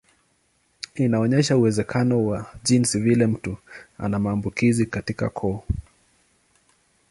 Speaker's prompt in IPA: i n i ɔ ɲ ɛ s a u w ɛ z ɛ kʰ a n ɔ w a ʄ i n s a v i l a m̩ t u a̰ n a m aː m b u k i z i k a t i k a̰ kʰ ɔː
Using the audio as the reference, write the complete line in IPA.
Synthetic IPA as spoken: i n a ɔ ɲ ɛ ʃ a u w ɛ z ɛ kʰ a n ɔ w a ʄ i n s i v i l ɛ m̩ t u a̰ n a m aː m b u k i z i k a t i k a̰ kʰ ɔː